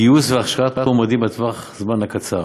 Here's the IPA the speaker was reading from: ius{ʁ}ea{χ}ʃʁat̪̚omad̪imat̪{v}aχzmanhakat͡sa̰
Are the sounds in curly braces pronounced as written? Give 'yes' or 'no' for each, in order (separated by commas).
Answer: no, yes, yes